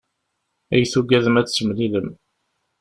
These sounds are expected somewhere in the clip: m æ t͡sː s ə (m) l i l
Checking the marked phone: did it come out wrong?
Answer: no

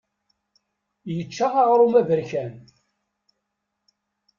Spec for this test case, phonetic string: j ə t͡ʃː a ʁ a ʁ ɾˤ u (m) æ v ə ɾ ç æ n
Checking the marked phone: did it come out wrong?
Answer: no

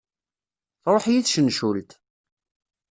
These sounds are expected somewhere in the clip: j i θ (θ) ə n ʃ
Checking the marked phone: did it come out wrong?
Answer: yes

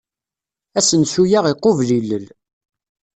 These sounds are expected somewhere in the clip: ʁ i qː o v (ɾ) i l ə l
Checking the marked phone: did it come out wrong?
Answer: yes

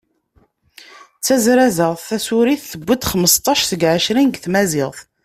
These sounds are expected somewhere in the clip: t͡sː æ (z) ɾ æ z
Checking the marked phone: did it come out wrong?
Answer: no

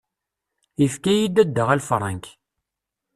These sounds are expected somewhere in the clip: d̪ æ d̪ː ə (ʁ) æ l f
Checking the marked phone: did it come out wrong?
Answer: no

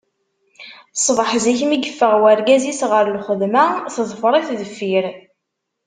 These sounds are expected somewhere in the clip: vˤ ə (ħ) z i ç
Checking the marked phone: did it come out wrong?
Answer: no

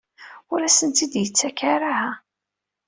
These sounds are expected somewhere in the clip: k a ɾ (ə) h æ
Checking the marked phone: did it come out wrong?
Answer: yes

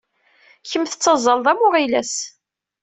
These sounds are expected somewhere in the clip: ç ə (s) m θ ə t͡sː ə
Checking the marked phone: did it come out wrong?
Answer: yes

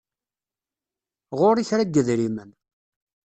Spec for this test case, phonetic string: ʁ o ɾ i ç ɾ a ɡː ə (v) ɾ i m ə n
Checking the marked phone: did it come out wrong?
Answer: yes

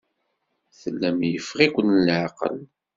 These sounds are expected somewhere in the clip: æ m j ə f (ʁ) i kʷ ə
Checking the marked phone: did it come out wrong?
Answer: no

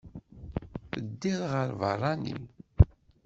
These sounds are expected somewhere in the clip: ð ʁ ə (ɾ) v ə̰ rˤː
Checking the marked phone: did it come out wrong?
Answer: no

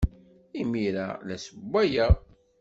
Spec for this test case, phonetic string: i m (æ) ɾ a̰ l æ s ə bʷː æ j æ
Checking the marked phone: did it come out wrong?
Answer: yes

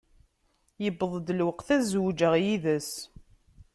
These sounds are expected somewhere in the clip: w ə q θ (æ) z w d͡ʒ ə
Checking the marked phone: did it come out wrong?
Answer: no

